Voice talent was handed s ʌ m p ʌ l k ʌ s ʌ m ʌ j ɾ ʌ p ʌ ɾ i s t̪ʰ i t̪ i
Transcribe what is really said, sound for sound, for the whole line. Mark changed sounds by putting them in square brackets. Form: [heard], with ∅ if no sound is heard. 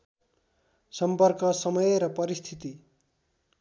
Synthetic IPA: s ʌ m p ʌ [r] k ʌ s ʌ m ʌ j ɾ ʌ p ʌ ɾ i s t̪ʰ i t̪ i